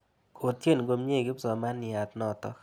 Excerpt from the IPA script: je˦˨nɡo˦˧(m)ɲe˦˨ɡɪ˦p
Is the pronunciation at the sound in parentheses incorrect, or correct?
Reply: correct